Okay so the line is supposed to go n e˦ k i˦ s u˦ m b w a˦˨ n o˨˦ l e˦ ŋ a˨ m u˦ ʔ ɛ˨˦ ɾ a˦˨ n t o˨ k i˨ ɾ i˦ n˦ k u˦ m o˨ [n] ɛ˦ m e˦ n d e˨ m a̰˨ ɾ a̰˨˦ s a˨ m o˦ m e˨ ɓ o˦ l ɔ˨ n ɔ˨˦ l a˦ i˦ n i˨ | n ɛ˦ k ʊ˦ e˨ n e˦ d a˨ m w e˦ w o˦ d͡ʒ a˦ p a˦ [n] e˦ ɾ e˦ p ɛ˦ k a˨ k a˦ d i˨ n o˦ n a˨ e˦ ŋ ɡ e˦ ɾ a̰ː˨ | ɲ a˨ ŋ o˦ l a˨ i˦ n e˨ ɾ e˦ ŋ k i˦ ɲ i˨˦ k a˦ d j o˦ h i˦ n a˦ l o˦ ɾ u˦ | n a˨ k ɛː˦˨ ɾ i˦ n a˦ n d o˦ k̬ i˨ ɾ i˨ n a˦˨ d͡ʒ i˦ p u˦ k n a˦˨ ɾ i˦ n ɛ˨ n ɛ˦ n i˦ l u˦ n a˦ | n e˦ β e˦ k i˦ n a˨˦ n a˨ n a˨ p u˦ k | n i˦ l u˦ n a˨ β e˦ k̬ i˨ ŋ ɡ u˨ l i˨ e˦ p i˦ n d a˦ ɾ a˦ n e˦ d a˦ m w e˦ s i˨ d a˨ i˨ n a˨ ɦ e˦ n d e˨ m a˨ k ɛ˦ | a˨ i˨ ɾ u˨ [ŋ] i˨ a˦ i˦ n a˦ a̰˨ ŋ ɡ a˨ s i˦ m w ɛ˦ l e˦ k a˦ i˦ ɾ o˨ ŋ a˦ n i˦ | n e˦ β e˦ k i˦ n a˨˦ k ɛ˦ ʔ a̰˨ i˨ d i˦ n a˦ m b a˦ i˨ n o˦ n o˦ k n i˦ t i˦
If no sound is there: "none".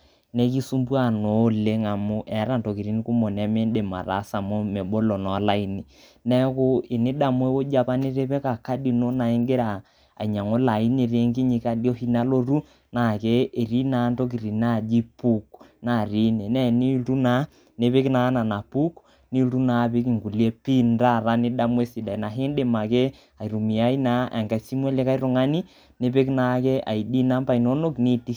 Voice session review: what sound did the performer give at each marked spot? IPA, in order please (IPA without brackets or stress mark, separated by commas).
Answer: n, n, m